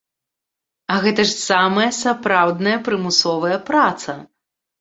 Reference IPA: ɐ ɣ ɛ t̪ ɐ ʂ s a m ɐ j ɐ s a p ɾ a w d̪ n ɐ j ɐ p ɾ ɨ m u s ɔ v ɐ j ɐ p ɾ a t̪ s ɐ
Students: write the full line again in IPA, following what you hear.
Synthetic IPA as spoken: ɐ ɣ ɛ t̪ ɐ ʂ s a m ɐ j ɐ s a p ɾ a w d̪ n ɐ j ɐ p ɾ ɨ m u s ɔ v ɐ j ɐ p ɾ a t̪ s ɐ